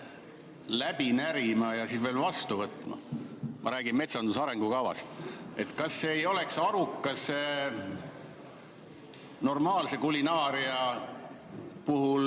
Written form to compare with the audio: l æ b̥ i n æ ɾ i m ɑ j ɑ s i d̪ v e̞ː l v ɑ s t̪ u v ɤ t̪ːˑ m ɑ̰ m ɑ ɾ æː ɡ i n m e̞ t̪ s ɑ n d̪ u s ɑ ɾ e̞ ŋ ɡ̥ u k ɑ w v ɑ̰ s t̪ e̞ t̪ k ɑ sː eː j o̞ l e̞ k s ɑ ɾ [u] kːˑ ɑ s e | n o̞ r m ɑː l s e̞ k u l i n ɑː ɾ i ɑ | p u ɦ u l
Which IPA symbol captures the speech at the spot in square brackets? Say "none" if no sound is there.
u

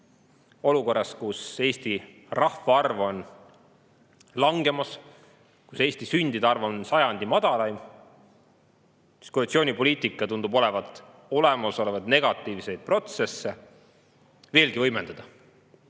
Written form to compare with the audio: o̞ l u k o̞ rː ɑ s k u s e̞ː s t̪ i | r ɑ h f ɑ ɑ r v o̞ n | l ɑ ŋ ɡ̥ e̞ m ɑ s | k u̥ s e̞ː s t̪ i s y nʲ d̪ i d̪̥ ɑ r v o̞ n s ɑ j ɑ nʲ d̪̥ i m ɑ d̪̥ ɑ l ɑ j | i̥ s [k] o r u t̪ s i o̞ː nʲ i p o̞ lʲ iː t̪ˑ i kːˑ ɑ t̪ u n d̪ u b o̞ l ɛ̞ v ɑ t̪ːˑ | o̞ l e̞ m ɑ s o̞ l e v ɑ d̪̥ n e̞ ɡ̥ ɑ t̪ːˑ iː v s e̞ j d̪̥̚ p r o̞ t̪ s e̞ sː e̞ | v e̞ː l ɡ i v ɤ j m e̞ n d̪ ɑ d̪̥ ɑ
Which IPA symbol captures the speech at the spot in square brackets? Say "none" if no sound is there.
k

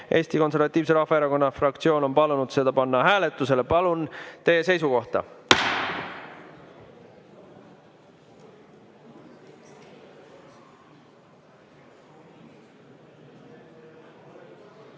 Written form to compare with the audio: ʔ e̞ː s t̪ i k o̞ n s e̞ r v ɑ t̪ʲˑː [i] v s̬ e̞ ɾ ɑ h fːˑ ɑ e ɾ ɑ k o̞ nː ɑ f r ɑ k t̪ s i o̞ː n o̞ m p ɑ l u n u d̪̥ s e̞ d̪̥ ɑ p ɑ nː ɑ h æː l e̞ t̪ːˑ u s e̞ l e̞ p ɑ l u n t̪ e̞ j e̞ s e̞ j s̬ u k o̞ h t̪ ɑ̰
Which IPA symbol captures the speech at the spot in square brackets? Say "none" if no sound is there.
iː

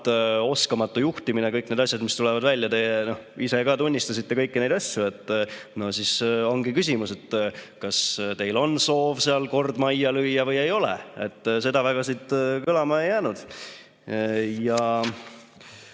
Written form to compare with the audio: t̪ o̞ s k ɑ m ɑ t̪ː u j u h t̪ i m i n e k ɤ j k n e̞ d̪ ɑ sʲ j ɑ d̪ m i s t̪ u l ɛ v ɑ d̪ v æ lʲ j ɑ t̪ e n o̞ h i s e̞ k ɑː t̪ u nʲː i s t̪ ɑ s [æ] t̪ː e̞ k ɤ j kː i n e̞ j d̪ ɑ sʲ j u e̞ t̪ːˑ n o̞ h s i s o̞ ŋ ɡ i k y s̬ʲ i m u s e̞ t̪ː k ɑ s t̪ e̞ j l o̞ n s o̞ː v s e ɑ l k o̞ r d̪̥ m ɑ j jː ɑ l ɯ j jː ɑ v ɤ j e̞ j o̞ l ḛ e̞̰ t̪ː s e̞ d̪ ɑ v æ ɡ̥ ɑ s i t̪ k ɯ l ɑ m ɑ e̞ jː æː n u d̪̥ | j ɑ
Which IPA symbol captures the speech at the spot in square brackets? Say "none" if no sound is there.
i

